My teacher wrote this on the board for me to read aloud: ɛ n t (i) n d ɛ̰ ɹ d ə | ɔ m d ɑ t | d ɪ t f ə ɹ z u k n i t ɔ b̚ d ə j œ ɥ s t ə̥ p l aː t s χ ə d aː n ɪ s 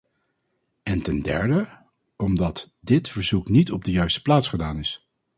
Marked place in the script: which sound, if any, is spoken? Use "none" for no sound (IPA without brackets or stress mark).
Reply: ɛ